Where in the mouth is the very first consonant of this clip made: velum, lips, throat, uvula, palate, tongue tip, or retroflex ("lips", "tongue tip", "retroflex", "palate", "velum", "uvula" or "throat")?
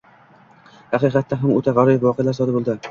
throat